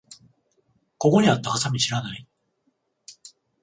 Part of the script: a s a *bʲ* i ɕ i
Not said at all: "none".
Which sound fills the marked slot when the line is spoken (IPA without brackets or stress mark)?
mʲ